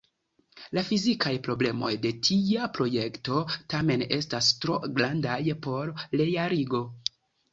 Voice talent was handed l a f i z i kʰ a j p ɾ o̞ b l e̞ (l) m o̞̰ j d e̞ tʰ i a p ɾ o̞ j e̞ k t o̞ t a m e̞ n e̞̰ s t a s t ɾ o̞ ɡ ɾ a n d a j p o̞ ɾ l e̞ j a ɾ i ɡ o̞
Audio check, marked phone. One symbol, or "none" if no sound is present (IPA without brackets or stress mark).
none